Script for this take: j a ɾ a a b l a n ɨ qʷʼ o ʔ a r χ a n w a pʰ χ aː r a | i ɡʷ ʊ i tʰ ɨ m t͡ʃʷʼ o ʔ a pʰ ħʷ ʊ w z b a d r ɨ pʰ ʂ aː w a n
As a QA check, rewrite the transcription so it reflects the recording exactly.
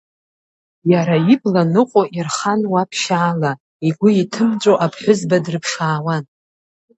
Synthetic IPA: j a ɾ a i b l a n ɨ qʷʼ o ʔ i r χ a n w a pʰ ʃ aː l a | i ɡʷ ʊ i tʰ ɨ m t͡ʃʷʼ o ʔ a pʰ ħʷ ʊ z b a d r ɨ pʰ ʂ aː w a n